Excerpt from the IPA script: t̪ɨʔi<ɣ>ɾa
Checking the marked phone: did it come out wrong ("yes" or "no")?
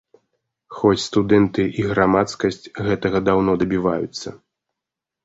no